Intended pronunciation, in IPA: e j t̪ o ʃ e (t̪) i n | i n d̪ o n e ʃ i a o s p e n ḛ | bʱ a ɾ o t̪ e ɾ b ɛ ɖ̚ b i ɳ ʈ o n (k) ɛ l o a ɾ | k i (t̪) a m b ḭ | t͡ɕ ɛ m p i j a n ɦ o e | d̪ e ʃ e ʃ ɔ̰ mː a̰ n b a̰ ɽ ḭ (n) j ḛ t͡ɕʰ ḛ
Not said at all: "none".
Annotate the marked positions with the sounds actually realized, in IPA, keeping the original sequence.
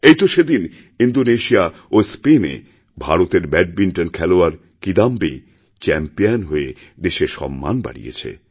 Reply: d̪, kʰ, d̪, none

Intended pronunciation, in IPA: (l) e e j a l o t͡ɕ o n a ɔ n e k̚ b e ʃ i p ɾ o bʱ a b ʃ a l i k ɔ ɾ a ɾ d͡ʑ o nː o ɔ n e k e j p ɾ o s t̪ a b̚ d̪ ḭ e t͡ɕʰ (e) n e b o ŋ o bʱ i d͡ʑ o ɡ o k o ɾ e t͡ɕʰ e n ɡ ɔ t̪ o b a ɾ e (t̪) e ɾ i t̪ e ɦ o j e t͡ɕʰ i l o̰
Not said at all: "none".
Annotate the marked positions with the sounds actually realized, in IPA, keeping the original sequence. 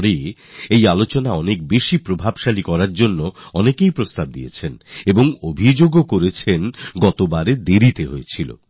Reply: ɾ, e, d̪

